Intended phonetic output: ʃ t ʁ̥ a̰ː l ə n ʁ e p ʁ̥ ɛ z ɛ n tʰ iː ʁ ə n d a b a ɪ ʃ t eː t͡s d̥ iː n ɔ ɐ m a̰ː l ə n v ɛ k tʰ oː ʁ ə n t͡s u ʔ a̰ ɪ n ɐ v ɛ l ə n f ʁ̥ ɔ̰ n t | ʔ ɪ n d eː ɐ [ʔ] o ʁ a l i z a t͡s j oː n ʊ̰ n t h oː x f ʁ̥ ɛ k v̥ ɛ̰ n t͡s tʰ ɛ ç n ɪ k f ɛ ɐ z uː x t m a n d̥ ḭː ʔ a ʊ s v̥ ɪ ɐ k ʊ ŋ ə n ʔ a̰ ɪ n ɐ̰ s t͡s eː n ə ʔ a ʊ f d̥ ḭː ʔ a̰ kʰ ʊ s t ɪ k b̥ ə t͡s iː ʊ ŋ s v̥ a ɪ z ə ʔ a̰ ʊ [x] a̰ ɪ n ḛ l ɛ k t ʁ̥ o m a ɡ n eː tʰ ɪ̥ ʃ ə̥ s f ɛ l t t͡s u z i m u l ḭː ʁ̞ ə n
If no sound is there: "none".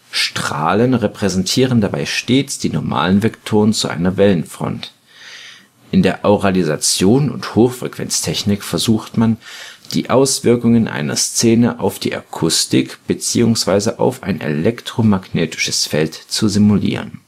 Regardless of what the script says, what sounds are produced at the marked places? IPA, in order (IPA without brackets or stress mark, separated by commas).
ʔ, f